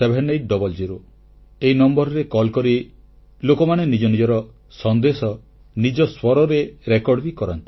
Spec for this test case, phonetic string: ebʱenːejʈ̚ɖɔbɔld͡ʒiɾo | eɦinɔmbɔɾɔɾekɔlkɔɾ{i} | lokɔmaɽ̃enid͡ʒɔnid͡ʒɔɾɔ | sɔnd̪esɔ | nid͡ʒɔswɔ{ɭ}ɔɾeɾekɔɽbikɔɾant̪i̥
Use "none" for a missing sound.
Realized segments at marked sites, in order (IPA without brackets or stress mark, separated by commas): i, ɾ